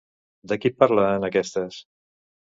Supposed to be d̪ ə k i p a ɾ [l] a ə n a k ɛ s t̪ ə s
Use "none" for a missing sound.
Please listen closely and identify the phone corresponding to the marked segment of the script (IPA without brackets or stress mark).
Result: l